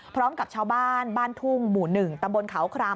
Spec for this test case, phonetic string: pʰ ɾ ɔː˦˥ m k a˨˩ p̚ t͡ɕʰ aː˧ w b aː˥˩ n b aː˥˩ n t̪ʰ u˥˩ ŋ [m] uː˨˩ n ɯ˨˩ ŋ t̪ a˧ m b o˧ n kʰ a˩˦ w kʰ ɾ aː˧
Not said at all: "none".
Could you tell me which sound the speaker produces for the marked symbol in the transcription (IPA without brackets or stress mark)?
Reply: m